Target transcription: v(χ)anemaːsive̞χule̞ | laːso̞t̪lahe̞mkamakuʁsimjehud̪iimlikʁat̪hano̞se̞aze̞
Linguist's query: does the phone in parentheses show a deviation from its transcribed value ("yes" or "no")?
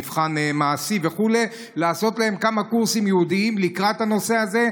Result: no